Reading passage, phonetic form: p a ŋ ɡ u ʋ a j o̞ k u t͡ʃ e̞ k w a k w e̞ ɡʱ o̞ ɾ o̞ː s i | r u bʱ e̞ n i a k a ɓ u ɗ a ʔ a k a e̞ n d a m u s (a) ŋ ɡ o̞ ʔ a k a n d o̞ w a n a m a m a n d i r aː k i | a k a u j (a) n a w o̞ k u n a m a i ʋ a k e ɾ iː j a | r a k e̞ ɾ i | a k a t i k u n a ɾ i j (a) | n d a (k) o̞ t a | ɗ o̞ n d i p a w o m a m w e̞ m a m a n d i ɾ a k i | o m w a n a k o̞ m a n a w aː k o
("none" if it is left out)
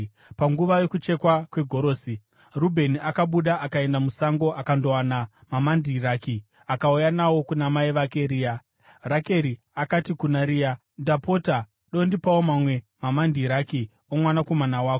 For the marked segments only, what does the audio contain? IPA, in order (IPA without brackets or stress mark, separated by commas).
a, a, a, p